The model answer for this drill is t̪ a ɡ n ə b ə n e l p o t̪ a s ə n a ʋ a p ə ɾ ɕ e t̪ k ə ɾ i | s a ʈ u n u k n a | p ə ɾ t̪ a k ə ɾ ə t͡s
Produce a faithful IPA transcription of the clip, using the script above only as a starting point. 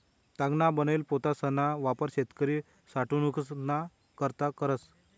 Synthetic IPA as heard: t̪ a ɡ n a b ə n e l p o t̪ a s ə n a ʋ a p ə ɾ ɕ e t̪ k ə ɾ i | s a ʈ u n u k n a | k ə ɾ t̪ a k ə ɾ ə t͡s